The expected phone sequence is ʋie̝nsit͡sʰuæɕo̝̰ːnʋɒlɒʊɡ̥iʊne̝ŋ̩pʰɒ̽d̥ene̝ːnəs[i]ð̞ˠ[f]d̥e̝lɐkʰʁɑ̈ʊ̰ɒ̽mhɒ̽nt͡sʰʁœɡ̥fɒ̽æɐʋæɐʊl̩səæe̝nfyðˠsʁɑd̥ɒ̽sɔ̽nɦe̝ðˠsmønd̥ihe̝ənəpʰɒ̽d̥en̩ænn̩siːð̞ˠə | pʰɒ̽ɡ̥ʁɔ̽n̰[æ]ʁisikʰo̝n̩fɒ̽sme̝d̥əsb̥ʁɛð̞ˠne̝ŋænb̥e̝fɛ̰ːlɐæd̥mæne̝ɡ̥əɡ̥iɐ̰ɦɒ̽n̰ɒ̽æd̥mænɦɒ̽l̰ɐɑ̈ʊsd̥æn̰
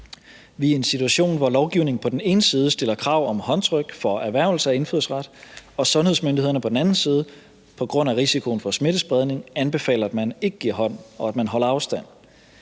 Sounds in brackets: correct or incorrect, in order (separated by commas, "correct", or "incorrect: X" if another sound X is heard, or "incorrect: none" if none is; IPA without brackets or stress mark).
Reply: incorrect: iː, incorrect: s, correct